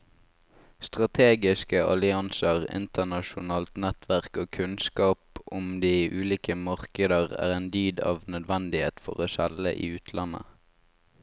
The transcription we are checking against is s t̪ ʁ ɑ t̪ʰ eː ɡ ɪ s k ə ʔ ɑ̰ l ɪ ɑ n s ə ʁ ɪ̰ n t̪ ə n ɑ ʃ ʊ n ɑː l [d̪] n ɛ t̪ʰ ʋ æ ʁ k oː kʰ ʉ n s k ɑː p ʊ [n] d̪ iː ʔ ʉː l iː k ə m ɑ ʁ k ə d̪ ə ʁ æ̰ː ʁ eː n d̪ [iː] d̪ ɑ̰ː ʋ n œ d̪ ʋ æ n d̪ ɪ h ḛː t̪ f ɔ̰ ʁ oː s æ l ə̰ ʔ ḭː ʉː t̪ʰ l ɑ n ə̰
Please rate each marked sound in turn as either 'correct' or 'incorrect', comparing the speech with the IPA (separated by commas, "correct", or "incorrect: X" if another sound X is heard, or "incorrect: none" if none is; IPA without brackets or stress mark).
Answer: incorrect: t̪, incorrect: m, incorrect: yː